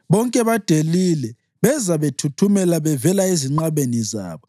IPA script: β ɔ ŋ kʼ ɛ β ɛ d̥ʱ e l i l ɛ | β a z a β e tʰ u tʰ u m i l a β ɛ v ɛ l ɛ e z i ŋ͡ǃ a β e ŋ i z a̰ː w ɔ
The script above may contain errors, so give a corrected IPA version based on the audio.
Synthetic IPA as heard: β ɔ ŋ kʼ ɛ β a d̥ʱ e l i l ɛ | β ɛ z a β e tʰ u tʰ u m ɛ l a β ɛ v ɛ l a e z i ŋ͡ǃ a β e n i z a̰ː β ɔ